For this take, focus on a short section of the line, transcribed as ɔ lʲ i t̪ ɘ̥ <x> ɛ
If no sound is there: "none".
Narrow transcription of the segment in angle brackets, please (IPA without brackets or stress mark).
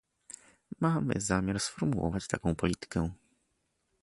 k